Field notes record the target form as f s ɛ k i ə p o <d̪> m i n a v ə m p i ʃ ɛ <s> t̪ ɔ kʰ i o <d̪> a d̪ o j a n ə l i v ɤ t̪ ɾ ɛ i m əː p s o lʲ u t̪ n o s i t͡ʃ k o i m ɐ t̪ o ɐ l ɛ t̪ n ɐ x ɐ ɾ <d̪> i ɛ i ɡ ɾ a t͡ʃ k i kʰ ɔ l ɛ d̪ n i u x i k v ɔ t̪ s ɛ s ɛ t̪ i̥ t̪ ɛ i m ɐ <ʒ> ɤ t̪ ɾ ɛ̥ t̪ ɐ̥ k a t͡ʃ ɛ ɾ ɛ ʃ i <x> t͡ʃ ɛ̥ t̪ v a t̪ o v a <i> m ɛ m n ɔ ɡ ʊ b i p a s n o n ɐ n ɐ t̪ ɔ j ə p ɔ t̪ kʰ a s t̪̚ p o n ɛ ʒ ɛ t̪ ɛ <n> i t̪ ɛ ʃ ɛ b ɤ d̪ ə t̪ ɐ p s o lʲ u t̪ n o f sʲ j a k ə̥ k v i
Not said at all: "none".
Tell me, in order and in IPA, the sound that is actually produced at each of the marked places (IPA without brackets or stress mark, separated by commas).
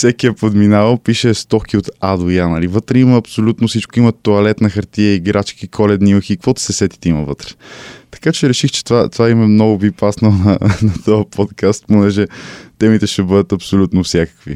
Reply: d̪, s, t̪, t̪, v, x, i, m